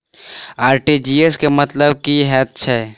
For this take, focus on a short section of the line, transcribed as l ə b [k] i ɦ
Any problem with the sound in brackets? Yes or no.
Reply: no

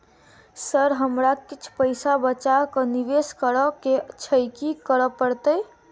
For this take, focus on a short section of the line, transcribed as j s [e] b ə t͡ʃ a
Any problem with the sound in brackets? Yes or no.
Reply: yes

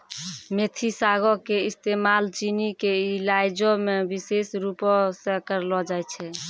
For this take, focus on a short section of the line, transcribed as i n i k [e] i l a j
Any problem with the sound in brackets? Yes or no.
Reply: no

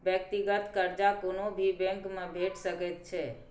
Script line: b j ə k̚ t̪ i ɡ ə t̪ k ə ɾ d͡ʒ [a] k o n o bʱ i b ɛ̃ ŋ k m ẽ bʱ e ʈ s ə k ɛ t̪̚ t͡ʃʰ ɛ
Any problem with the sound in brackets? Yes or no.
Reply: no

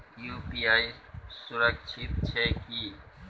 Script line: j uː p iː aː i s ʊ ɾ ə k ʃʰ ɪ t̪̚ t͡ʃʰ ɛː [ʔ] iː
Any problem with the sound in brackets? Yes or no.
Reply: yes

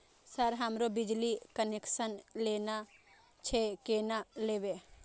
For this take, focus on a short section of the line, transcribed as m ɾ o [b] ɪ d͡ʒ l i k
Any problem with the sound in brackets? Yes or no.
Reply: no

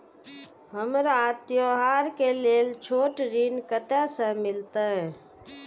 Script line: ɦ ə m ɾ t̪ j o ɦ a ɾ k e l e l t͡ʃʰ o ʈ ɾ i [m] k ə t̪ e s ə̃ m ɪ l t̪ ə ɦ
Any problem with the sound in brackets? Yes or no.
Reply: yes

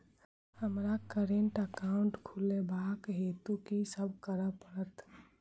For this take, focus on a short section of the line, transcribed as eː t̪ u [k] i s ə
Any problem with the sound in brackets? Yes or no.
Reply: no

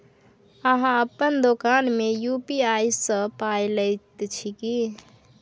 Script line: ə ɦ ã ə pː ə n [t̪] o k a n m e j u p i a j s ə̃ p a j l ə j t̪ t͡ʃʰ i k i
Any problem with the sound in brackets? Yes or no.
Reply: yes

